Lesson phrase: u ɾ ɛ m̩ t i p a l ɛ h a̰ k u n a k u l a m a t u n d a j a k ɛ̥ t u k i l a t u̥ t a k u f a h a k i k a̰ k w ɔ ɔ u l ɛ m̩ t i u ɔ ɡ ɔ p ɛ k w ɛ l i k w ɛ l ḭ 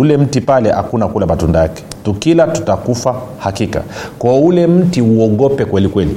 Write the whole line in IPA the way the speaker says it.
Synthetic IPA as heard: u l ɛ m̩ t i p a l ɛ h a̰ k u n a k u l a m a t u n d a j a k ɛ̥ t u k i l a t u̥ t a k u f a h a k i k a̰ k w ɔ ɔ u l ɛ m̩ t i u ɔ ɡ ɔ p ɛ k w ɛ l i k w ɛ l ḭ